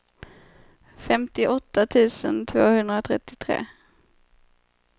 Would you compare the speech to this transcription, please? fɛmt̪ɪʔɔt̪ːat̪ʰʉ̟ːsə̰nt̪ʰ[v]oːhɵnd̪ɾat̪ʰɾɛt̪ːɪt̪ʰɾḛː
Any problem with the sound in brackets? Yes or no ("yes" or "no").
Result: no